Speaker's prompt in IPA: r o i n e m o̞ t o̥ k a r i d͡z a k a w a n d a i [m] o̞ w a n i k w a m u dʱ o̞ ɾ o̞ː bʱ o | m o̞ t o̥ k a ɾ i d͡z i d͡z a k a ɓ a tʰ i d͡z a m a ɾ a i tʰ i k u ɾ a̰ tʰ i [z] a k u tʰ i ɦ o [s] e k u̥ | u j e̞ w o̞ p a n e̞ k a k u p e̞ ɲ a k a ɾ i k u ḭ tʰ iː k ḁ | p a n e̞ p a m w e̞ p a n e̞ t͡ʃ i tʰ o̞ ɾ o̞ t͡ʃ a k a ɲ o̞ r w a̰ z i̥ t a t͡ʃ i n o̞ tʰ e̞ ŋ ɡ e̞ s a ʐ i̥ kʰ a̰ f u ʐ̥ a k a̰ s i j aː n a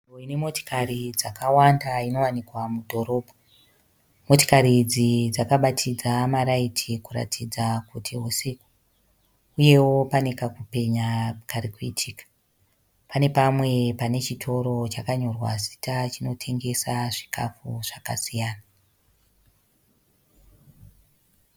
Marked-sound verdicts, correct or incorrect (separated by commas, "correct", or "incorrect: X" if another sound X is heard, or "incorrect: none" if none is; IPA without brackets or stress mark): incorrect: n, incorrect: d͡z, correct